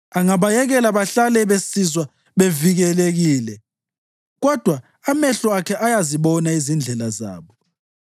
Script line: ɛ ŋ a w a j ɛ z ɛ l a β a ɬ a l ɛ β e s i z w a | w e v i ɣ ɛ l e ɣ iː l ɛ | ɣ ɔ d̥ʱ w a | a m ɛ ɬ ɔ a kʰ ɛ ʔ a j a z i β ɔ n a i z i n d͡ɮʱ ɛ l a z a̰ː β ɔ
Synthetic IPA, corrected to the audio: a ŋ a β a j ɛ ɣ ɛ l a β a ɬ a l ɛ β e s i z w a | β e v i ɣ ɛ l e ɣ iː l ɛ | ɣ ɔ d̥ʱ w a | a m ɛ ɬ ɔ a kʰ ɛ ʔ a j a z i β ɔ n a i z i n d͡ɮʱ ɛ l a z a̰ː β ɔ